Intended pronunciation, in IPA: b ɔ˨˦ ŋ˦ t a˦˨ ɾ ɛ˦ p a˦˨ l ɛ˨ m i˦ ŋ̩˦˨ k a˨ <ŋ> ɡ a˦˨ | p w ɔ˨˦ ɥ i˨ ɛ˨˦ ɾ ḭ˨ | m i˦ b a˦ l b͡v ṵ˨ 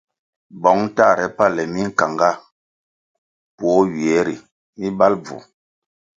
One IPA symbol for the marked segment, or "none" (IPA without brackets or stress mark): ŋ